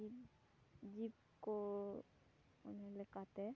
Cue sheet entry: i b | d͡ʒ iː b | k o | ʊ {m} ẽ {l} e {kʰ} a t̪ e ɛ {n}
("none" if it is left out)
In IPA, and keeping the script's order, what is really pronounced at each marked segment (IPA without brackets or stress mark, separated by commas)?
n, l, k, none